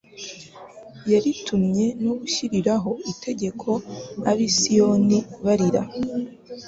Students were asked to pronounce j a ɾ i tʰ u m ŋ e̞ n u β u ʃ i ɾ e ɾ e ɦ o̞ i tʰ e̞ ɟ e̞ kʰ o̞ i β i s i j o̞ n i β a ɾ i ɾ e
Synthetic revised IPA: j a ɾ i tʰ u m ɲ e̞ n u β u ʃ i ɾ i ɾ a ɦ o̞ i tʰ e̞ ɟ e̞ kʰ o̞ a β i s i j o̞ n i β a ɾ i ɾ a

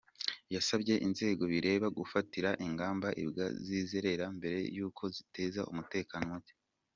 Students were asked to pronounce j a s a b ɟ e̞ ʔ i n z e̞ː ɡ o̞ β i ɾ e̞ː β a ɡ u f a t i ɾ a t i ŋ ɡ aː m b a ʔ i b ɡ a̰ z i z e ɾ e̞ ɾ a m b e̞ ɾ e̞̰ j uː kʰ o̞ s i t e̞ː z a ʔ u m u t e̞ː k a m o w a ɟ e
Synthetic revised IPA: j a s a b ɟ e̞ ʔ i n z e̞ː ɡ o̞ β i ɾ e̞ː β a ɡ u f a t i ɾ a ʔ i ŋ ɡ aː m b a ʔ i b ɡ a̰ z i z e ɾ e̞ ɾ a m b e̞ ɾ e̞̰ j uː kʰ o̞ z i t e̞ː z a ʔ u m u t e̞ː k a n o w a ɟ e

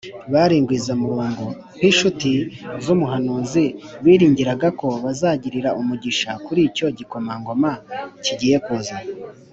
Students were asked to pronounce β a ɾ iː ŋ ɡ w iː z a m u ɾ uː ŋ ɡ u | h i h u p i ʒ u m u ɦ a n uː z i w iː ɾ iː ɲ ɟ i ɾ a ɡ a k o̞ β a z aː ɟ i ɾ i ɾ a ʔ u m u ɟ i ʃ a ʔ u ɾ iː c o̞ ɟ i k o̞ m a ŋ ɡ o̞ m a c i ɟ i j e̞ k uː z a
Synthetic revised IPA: β a ɾ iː ŋ ɡ w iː z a m u ɾ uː ŋ ɡ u | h i ʃ u t i z u m u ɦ a n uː z i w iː ɾ iː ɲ ɟ i ɾ a ɡ a k o̞ β a z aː ɟ i ɾ i ɾ a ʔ u m u ɟ i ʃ a k u ɾ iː c o̞ ɟ i k o̞ m a ŋ ɡ o̞ m a c i ɟ i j e̞ k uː z a

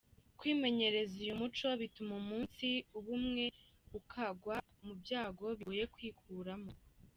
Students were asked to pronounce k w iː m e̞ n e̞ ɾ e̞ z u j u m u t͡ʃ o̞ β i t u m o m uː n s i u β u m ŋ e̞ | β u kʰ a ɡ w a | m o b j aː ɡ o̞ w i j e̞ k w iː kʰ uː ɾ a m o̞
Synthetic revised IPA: k w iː m e̞ ɲ e̞ ɾ e̞ z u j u m u t͡ʃ o̞ β i t u m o m uː n s i u β u m ŋ e̞ | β u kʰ a ɡ w a | m u b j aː ɡ o̞ β i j e̞ k w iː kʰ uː ɾ a m o̞

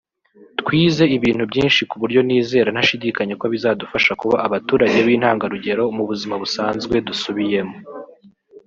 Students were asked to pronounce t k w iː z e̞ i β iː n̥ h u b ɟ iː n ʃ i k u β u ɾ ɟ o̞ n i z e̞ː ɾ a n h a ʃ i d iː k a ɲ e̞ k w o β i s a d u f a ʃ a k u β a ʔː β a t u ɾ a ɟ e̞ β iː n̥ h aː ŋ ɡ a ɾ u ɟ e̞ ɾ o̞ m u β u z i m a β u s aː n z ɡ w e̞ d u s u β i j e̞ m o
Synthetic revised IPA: t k w iː z e̞ i β iː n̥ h u b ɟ iː n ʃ i k u β u ɾ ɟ o̞ n iː z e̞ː ɾ a n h a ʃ i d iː k a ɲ e̞ k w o β i z a d u f a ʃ a k u β a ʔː β a t uː ɾ a ɟ e̞ β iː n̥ h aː ŋ ɡ a ɾ u ɟ e̞ ɾ o̞ m u β u z i m a β u s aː n z ɡ w e̞ d u s u β i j e̞ m o

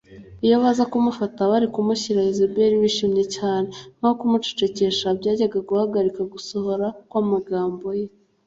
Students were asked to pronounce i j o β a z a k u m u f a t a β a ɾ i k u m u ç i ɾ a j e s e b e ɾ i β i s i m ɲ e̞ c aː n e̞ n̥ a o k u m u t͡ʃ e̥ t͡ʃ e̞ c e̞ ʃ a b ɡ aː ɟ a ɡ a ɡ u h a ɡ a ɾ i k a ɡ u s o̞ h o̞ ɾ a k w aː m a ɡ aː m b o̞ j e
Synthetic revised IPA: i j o β a z a k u m u f a t a β a ɾ i k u m u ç i ɾ a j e z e b e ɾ i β i ʃ i m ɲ e̞ c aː n e̞ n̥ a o k u m u t͡ʃ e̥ t͡ʃ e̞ c e̞ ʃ a b ɟ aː ɟ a ɡ a ɡ u h a ɡ a ɾ i k a ɡ u s o̞ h o̞ ɾ a k w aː m a ɡ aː m b o̞ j e

